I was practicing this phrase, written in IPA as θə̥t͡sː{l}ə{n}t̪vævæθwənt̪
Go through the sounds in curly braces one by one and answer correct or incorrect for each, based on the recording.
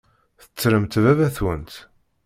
incorrect: ɾ, incorrect: m

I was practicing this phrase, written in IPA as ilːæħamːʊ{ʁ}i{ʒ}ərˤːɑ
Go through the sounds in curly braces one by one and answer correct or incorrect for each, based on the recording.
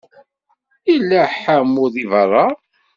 incorrect: ð, incorrect: v

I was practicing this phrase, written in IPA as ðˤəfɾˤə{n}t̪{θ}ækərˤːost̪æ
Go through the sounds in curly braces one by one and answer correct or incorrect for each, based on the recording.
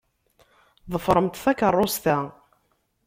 incorrect: m, correct

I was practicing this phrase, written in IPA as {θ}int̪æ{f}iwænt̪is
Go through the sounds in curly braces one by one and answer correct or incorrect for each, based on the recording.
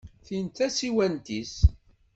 correct, incorrect: s

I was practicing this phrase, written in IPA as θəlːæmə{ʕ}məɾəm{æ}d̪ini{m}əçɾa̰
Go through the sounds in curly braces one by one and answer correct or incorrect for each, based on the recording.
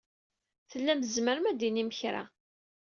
incorrect: z, correct, correct

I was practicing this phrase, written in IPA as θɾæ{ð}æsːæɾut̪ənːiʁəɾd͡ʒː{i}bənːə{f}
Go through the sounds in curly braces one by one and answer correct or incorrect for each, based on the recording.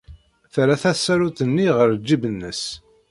incorrect: θ, correct, incorrect: s

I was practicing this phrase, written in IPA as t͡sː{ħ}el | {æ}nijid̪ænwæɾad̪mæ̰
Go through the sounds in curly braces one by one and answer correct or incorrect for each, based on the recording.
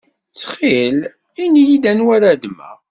incorrect: χ, incorrect: i

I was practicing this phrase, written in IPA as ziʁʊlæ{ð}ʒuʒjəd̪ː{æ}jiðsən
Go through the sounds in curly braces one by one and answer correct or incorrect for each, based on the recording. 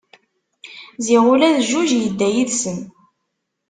correct, correct

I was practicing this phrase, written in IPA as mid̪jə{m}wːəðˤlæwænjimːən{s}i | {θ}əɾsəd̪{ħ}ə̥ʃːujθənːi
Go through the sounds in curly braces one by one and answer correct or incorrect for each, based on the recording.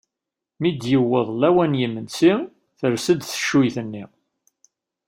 incorrect: none, correct, correct, incorrect: θ

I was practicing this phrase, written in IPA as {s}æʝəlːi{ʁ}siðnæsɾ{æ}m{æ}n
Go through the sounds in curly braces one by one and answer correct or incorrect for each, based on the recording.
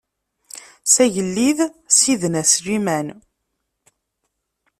correct, incorrect: ð, incorrect: i, correct

